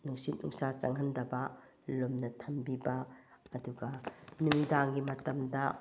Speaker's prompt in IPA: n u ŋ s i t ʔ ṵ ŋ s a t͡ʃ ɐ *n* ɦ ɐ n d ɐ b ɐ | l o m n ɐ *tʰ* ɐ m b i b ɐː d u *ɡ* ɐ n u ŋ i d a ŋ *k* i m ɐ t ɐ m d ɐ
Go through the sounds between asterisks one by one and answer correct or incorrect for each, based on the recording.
incorrect: ŋ, correct, correct, incorrect: ɡ

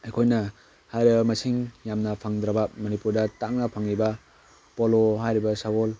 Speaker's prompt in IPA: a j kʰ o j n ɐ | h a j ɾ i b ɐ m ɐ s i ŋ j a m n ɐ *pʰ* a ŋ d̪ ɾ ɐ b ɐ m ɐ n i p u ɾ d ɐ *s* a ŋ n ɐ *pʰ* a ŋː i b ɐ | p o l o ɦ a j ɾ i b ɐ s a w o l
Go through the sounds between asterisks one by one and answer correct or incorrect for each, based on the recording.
correct, incorrect: t, correct

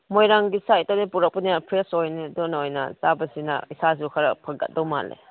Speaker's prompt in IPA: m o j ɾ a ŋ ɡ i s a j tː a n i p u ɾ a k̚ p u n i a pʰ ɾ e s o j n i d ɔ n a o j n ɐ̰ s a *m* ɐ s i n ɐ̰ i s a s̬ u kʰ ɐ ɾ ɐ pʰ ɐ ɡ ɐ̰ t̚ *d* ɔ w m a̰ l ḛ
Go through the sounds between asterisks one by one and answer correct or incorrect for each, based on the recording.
incorrect: b, correct

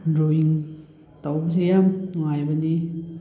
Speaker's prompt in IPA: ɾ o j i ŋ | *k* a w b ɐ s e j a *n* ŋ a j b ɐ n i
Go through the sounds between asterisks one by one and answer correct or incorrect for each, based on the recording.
incorrect: t, incorrect: m

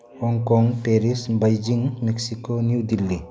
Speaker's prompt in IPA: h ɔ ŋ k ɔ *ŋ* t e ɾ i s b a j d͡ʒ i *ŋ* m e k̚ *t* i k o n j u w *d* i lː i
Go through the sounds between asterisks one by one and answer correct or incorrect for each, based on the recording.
correct, correct, incorrect: s, correct

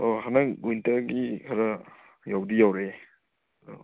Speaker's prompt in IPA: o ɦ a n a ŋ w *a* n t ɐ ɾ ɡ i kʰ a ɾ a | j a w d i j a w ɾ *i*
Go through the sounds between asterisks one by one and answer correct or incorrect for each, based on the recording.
incorrect: i, incorrect: e

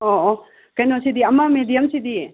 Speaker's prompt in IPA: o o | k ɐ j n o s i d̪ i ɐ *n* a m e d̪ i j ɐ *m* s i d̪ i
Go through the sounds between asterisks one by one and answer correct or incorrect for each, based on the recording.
incorrect: m, correct

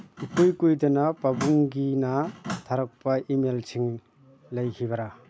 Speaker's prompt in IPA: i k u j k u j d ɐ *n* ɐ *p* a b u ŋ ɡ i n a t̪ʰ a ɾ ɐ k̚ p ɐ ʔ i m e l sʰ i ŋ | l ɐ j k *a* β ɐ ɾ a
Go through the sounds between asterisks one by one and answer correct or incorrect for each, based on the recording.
correct, correct, incorrect: i

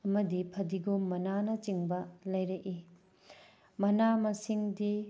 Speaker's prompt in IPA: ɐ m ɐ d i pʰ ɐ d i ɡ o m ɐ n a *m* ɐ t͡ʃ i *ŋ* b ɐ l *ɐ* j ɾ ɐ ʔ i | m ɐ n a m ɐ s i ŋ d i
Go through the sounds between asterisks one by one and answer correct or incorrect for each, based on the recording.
incorrect: n, correct, correct

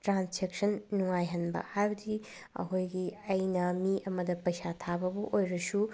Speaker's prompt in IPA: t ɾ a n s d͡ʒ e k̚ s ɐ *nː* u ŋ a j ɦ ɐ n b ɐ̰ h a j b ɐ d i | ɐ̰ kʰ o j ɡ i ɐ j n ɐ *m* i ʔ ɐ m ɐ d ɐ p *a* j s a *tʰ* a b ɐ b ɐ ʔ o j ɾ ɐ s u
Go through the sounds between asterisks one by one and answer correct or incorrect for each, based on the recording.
correct, correct, incorrect: ɐ, correct

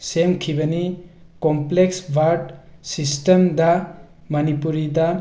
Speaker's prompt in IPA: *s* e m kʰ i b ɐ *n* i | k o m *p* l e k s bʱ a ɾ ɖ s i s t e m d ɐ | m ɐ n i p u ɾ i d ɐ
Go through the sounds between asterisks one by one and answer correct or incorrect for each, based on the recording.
correct, correct, correct

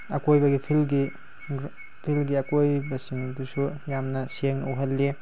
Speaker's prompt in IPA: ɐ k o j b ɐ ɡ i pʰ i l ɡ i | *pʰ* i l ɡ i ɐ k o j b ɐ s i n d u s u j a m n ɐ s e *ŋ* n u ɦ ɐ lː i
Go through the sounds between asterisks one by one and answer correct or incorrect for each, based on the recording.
correct, correct

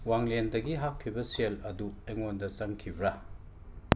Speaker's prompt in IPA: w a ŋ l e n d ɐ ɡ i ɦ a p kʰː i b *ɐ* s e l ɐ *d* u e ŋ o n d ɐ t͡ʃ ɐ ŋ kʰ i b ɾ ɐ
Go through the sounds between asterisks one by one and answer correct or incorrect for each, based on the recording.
correct, correct

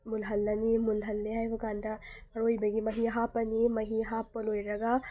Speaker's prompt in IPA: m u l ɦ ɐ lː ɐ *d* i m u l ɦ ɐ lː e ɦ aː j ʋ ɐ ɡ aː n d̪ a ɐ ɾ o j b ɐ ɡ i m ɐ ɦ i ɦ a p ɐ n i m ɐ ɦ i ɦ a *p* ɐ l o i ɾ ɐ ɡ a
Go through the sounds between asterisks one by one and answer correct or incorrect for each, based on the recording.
incorrect: n, correct

